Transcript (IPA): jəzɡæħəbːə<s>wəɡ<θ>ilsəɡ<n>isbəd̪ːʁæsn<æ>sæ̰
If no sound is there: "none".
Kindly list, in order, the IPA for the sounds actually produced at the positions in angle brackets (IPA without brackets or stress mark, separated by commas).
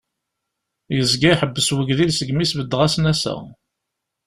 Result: s, ð, m, æ